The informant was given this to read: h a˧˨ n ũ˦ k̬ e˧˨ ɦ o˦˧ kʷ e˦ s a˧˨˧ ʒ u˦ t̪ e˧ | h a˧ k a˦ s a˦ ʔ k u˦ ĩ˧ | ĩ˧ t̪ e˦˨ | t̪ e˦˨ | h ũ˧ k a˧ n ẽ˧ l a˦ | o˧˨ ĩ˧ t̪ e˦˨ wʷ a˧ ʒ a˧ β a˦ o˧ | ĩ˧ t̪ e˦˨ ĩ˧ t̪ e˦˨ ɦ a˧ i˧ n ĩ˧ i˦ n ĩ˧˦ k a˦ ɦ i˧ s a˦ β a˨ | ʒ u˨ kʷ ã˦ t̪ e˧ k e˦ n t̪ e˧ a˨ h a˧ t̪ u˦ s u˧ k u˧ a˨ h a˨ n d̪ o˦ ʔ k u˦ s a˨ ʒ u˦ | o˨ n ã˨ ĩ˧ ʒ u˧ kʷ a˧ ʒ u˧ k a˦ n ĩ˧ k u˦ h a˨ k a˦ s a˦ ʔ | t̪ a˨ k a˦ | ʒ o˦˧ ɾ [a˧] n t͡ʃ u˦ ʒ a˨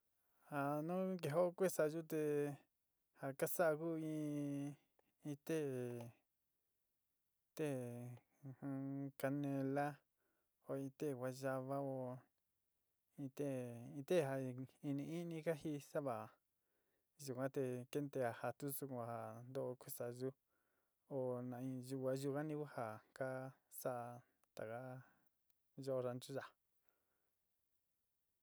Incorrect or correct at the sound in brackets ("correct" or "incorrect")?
correct